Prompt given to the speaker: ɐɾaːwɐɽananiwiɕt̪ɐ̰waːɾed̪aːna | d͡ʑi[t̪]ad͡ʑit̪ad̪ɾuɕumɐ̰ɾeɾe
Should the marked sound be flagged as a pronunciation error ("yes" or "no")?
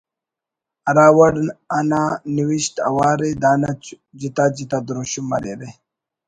no